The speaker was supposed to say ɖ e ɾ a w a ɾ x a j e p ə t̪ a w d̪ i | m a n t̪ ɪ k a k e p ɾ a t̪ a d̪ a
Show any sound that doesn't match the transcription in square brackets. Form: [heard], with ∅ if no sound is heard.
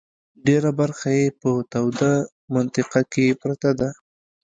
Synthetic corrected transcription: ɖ e ɾ a [b] a ɾ x a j e p ə t̪ a w d̪ [a] | m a n t̪ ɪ [q] a k e p ɾ a t̪ a d̪ a